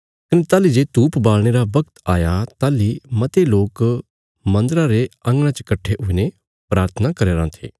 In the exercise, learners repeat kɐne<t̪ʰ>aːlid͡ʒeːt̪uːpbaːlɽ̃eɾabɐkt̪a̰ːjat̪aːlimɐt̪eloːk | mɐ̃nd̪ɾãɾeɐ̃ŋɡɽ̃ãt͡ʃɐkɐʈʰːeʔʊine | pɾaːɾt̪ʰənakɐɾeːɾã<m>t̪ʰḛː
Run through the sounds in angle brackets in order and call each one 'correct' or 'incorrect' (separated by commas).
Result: incorrect, incorrect